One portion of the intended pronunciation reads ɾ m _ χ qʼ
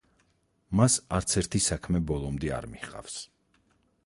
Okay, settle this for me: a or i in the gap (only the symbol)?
i